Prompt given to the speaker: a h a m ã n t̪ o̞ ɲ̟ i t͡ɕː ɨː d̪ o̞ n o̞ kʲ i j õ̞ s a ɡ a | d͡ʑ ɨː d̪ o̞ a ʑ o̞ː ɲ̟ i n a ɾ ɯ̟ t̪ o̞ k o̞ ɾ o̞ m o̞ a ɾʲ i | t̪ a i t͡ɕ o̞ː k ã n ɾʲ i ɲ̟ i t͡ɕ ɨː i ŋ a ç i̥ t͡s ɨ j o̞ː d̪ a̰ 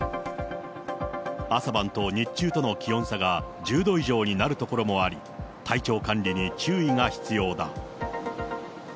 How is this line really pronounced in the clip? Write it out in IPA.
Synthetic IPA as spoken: a s a b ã n t̪ o̞ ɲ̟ i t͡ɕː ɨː t̪ o̞ n o̞ kʲ i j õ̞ s a ɡ a | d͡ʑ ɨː d̪ o̞ i ʑ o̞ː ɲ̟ i n a ɾ ɯ̟ t̪ o̞ k o̞ ɾ o̞ m o̞ a ɾʲ i | t̪ a i t͡ɕ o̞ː k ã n ɾʲ i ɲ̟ i t͡ɕ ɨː i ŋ a ç i̥ t͡s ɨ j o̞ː d̪ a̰

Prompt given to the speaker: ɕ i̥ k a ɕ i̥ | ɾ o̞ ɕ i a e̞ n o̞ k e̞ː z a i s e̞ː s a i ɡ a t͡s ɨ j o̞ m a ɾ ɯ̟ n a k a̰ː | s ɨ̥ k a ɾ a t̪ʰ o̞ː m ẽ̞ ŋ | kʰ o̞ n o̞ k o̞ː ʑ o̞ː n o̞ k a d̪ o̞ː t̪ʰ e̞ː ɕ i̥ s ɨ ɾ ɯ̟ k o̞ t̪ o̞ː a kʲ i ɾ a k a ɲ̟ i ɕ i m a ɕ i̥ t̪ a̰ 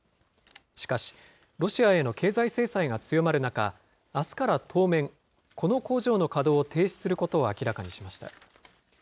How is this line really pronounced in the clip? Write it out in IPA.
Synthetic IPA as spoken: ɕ i̥ k a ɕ i̥ | ɾ o̞ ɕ i a e̞ n o̞ k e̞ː z a i s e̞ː s a i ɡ a t͡s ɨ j o̞ m a ɾ ɯ̟ n a k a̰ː | s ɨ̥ k a ɾ a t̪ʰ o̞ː m ẽ̞ ŋ | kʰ o̞ n o̞ k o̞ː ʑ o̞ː n o̞ k a d̪ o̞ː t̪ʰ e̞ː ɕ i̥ s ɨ ɾ ɯ̟ k o̞ t̪ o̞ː a kʲ i ɾ a k a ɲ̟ i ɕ i m a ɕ i̥ t̪ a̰

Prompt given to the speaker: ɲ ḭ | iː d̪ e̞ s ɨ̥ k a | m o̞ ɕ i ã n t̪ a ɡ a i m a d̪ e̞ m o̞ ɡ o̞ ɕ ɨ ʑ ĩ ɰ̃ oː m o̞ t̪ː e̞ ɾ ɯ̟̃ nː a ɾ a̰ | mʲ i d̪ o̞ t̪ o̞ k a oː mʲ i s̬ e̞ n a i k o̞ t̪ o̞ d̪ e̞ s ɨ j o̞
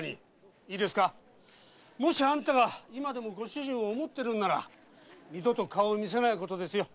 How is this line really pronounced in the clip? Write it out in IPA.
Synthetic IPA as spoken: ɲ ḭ | iː d̪ e̞ s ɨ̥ k a | m o̞ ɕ i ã n t̪ a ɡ a i m a d̪ e̞ m o̞ ɡ o̞ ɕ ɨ ʑ ĩ ɰ̃ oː m o̞ t̪ː e̞ ɾ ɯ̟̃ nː a ɾ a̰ | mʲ i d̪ o̞ t̪ o̞ k a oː mʲ i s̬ e̞ n a i k o̞ t̪ o̞ d̪ e̞ s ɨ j o̞

